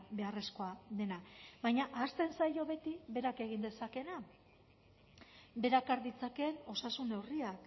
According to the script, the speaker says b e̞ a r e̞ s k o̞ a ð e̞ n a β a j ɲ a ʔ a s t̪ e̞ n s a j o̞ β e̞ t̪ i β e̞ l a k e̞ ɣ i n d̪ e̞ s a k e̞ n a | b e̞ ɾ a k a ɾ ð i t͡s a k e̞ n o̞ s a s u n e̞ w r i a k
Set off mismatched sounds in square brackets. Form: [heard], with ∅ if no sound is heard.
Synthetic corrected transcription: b e̞ a r e̞ s k o̞ a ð e̞ n a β a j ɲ a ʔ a s t̪ e̞ n s a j o̞ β e̞ t̪ i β e̞ [ɾ] a k e̞ ɣ i n d̪ e̞ s a k e̞ n a | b e̞ ɾ a k a ɾ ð i t͡s a k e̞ n o̞ s a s u n e̞ w r i a k